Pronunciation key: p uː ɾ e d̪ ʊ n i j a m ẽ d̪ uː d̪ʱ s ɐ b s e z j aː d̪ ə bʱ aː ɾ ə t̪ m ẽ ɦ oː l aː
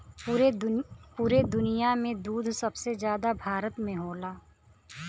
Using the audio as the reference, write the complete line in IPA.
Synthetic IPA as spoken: p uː ɾ e d̪ ʊ n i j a m ẽ d̪ uː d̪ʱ s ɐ b s e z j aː d̪ a bʱ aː ɾ ə t̪ m ẽ ɦ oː l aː